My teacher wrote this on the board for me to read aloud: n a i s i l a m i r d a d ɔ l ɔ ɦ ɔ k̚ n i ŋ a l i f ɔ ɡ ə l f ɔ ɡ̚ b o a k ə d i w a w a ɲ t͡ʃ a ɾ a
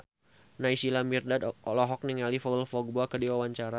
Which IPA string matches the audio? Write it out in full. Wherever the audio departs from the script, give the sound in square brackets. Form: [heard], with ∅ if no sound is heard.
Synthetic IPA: n a i s i l a m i r d a d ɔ l ɔ ɦ ɔ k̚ n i ŋ a l i f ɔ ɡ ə l f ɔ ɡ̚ b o a k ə d i w a w a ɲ t͡ʃ a ɾ a